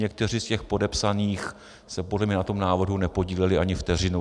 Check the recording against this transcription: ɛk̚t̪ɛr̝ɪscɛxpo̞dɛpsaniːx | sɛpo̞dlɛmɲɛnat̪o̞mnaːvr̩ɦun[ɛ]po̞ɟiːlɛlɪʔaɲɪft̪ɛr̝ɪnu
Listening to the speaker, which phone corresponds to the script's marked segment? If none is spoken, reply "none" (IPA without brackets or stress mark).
ɛ